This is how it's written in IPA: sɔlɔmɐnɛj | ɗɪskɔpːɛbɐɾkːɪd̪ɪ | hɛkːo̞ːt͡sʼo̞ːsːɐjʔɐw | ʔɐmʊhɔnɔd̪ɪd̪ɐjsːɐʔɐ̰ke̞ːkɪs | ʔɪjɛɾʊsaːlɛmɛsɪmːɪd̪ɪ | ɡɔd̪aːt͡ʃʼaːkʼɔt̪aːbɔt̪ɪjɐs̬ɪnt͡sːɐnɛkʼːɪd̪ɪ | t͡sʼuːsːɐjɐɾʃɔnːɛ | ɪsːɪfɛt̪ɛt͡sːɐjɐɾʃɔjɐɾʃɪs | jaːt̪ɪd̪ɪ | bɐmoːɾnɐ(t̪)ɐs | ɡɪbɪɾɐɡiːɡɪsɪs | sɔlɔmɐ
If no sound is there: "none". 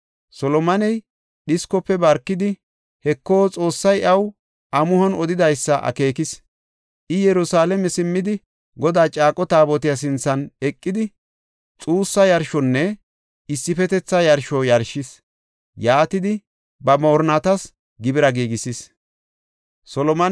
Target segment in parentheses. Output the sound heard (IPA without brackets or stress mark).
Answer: t̪